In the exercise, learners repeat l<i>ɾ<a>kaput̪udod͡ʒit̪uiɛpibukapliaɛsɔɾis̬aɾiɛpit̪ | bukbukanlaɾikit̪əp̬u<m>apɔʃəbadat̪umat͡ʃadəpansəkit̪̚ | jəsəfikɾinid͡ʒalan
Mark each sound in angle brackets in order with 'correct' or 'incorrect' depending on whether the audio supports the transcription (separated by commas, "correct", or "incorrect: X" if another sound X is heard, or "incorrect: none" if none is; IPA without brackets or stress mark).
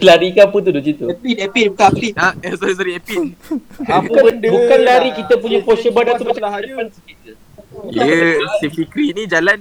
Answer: incorrect: a, incorrect: i, incorrect: ɲ